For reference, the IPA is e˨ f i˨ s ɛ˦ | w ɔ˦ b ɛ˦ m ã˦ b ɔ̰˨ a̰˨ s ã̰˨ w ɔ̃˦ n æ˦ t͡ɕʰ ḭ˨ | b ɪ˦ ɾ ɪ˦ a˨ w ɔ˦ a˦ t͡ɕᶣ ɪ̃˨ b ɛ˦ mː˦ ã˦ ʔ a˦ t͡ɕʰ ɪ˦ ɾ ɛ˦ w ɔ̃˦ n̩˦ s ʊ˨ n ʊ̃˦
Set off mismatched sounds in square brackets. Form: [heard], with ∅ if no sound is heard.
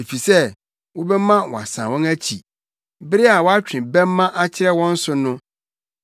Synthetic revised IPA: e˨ f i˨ s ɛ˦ | w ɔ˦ b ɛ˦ m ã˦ [w] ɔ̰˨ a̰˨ s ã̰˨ w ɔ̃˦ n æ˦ t͡ɕʰ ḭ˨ | b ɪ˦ ɾ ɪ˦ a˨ w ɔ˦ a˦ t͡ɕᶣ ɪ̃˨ b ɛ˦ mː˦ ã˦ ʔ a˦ t͡ɕʰ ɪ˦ ɾ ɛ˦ w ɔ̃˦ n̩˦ s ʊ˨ n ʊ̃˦

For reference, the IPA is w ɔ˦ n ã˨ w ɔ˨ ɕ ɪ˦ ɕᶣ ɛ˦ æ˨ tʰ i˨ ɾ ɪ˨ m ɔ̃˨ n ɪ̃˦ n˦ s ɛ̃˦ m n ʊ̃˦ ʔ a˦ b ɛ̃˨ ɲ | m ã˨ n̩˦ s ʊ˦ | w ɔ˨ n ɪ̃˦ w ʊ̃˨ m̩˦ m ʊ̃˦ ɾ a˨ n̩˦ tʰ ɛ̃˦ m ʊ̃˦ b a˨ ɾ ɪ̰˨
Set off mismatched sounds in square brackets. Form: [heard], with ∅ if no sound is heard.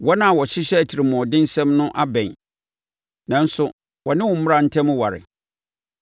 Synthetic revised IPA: w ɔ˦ n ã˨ w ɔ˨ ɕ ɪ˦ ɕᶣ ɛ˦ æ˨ tʰ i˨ ɾ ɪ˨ m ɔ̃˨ [d] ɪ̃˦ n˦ s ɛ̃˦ m n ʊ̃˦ ʔ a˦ b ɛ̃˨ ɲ | [n] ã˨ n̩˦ s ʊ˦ | w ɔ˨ n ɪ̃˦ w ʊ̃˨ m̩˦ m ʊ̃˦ ɾ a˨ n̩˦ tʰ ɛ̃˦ m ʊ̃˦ [w] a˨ ɾ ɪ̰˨

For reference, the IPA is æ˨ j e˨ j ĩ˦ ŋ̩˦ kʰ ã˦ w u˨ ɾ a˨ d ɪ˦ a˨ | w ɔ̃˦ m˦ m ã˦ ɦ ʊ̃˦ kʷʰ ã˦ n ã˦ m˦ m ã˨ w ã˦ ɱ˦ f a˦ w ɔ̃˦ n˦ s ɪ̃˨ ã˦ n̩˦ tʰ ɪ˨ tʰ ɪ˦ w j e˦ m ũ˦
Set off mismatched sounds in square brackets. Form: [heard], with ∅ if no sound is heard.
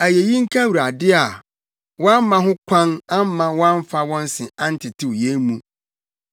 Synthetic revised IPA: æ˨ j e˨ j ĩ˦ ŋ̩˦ kʰ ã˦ w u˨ ɾ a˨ d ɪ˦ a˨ | w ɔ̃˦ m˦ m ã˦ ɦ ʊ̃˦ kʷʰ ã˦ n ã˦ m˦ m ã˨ w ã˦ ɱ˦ f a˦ w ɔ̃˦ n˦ s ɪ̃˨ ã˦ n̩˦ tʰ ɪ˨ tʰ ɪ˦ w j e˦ m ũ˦

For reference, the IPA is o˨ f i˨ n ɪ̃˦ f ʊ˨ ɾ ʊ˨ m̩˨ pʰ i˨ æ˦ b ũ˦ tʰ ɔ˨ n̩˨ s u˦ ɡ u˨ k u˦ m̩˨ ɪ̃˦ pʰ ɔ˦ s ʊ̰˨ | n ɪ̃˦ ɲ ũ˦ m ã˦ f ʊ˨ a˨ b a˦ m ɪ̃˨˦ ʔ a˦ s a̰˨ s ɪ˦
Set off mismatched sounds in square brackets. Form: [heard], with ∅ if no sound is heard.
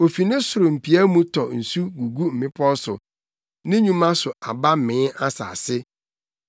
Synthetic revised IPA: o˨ f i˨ n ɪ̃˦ [s] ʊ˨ ɾ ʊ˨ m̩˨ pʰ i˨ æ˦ [m] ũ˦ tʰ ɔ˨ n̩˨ s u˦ ɡ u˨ [ɡ] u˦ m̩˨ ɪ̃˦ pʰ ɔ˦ s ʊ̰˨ | n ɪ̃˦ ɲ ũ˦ m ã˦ [s] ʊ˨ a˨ b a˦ m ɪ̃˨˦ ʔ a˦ s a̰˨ s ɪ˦

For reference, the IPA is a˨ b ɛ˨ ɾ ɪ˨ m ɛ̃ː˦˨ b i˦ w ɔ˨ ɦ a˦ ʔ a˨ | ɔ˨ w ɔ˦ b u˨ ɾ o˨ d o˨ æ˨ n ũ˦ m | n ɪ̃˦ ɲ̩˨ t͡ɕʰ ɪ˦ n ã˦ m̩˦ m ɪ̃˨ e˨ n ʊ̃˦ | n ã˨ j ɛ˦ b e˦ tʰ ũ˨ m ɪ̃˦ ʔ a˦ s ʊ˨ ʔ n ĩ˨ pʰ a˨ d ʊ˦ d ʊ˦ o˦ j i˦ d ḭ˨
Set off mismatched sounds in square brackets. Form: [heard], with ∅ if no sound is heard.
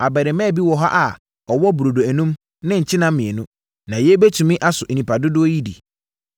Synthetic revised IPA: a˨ b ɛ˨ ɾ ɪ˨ m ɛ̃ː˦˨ b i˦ w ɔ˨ ɦ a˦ ʔ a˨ | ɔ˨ w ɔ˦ b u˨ ɾ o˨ d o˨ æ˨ n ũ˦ m | n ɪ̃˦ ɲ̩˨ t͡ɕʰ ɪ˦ n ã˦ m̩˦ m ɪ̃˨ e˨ n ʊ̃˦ | n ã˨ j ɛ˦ b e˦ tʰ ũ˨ m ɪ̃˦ ʔ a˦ s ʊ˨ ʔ n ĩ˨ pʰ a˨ d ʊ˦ d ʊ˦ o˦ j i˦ d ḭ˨

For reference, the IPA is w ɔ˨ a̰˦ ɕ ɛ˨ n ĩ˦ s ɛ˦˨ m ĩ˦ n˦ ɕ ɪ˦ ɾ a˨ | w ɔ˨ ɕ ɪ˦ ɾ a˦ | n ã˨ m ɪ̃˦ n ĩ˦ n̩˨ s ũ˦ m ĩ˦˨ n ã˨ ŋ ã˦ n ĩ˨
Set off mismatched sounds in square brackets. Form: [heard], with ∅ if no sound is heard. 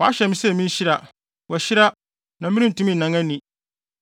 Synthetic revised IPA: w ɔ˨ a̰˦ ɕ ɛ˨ [m] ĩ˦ s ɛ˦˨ m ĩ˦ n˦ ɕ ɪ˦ ɾ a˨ | w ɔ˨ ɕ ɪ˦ ɾ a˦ | n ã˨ m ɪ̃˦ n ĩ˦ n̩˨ [t] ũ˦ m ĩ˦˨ n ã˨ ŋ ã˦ n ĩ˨

